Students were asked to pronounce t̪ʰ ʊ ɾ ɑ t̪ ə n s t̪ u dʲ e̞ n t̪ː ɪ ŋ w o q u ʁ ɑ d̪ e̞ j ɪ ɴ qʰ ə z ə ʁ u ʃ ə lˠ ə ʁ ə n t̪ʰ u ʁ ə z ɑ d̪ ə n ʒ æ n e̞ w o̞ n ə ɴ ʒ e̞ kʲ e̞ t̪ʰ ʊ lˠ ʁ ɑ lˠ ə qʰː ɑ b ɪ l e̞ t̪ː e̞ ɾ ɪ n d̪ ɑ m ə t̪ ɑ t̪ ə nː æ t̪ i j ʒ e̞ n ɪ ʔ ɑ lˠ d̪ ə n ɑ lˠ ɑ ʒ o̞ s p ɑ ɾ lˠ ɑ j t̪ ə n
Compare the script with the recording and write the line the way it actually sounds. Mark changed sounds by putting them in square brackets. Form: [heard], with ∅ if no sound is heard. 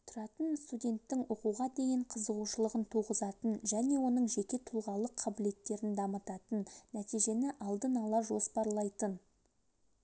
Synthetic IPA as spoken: t̪ʰ ʊ ɾ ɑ t̪ ə n s t̪ u dʲ e̞ n t̪ː ɪ ŋ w o q u ʁ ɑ d̪ e̞ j ɪ ɴ qʰ ə z ə ʁ u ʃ ə lˠ ə ʁ ə n t̪ʰ u ʁ ə z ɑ [t̪] ə n ʒ æ n e̞ w o̞ n ə ɴ ʒ e̞ kʲ e̞ t̪ʰ ʊ lˠ ʁ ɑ lˠ ə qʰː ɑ b ɪ l e̞ t̪ː e̞ ɾ ɪ n d̪ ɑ m ə t̪ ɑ t̪ ə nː æ t̪ i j ʒ e̞ n ɪ ʔ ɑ lˠ d̪ ə n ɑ lˠ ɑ ʒ o̞ s p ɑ ɾ lˠ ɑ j t̪ ə n

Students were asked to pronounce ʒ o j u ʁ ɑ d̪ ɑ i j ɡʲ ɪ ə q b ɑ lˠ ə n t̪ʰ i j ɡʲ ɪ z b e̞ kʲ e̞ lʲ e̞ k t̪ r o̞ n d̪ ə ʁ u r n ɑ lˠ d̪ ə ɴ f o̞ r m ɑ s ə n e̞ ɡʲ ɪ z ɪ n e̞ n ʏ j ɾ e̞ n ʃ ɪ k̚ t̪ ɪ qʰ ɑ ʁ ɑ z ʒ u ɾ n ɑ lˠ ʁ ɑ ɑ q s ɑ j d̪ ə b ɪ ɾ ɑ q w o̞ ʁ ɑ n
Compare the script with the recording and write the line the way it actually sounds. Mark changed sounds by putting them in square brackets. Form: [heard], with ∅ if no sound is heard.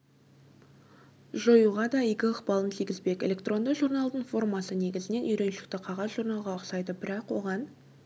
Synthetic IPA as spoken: ʒ o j u ʁ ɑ d̪ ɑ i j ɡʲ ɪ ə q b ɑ lˠ ə n t̪ʰ i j ɡʲ ɪ z b e̞ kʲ e̞ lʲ e̞ k t̪ r o̞ n d̪ ə [ʒ] u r n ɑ lˠ d̪ ə ɴ f o̞ r m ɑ s ə n e̞ ɡʲ ɪ z ɪ n e̞ n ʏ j ɾ e̞ n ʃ ɪ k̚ t̪ ɪ qʰ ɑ ʁ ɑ z ʒ u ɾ n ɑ lˠ ʁ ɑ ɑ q s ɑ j d̪ ə b ɪ ɾ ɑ q w o̞ ʁ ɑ n

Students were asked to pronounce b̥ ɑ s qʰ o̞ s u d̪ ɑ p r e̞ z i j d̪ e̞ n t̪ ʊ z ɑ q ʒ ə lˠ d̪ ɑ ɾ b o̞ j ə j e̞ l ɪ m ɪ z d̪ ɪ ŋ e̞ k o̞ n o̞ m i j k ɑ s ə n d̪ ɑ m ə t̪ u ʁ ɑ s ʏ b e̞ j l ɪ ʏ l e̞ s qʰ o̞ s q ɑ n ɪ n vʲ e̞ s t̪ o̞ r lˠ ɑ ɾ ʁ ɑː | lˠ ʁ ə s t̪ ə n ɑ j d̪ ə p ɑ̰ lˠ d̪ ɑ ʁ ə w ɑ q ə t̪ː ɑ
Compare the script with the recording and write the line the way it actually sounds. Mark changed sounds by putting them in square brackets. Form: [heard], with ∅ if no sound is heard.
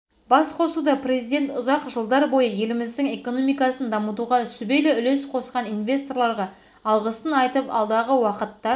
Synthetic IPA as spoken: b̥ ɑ s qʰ o̞ s u d̪ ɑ p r e̞ z i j d̪ e̞ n t̪ ʊ z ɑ q ʒ ə lˠ d̪ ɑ ɾ b o̞ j ə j e̞ l ɪ m ɪ z d̪ ɪ ŋ e̞ k o̞ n o̞ m i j k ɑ s ə n d̪ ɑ m ə t̪ u ʁ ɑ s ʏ b e̞ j l ɪ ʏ l e̞ s qʰ o̞ s q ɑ n [i] n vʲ e̞ s t̪ o̞ r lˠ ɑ ɾ ʁ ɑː | lˠ ʁ ə s t̪ ə n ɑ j [t̪] ə p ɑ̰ lˠ d̪ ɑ ʁ ə w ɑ q ə t̪ː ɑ

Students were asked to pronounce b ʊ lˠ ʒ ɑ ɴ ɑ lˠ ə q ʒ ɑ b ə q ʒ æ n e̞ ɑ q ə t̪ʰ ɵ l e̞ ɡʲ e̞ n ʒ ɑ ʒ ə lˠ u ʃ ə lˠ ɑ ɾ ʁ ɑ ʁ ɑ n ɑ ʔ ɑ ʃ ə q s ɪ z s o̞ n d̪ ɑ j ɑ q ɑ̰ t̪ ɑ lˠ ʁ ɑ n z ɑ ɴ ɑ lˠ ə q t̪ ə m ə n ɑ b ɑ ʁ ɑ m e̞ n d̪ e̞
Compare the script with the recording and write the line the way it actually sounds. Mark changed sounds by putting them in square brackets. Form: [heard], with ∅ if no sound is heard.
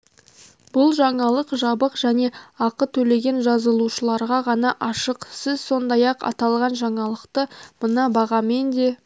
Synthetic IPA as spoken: b ʊ lˠ ʒ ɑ ɴ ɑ lˠ ə q ʒ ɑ b ə q ʒ æ n e̞ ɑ q ə t̪ʰ ɵ l e̞ ɡʲ e̞ n ʒ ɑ [z] ə lˠ u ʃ ə lˠ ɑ ɾ ʁ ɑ ʁ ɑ n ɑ ʔ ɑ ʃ ə q s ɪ z s o̞ n d̪ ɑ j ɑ q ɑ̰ t̪ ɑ lˠ ʁ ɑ n [ʒ] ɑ ɴ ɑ lˠ ə q t̪ ə m ə n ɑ b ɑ ʁ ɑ m e̞ n d̪ e̞

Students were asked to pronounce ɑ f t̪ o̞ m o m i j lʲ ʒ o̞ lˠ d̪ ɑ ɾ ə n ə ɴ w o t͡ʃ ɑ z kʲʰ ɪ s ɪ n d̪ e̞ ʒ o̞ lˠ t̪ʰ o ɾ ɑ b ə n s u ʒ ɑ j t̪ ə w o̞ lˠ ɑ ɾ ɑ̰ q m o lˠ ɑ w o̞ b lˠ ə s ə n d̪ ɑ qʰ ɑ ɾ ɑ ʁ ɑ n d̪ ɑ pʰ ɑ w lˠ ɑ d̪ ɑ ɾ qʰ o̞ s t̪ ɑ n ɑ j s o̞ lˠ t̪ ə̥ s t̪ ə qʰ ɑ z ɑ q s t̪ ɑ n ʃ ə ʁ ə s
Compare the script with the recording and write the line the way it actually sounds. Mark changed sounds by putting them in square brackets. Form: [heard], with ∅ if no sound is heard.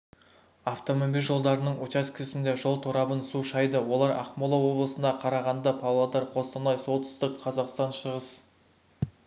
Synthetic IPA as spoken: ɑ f t̪ o̞ m o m i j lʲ ʒ o̞ lˠ d̪ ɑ ɾ ə n ə ɴ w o t͡ʃ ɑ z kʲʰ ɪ s ɪ n d̪ e̞ ʒ o̞ lˠ t̪ʰ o ɾ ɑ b ə n s u [ʃ] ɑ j [d̪] ə w o̞ lˠ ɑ ɾ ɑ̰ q m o lˠ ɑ w o̞ b lˠ ə s ə n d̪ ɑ qʰ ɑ ɾ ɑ ʁ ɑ n d̪ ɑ pʰ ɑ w lˠ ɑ d̪ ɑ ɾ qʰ o̞ s t̪ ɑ n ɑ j s o̞ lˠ t̪ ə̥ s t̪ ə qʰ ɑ z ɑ q s t̪ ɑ n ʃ ə ʁ ə s

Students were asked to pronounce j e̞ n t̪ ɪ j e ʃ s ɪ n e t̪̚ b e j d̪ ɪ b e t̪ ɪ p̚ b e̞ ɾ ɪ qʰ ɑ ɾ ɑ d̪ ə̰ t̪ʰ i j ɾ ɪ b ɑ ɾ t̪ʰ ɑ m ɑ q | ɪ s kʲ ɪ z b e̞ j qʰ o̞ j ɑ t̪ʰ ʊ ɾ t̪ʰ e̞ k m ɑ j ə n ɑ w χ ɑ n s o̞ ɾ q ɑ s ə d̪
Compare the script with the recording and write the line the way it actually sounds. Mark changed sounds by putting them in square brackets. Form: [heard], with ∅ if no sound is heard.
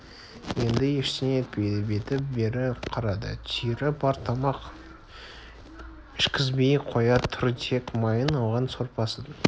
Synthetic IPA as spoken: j e̞ n [d̪] ɪ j e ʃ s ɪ n e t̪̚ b e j d̪ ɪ b e t̪ ɪ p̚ b e̞ ɾ ɪ qʰ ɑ ɾ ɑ d̪ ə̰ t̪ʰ i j ɾ ɪ b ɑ ɾ t̪ʰ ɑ m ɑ q | ɪ [ʃ] kʲ ɪ z b e̞ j qʰ o̞ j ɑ t̪ʰ ʊ ɾ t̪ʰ e̞ k m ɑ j ə n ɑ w [ʁ] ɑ n s o̞ ɾ [p] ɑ s ə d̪

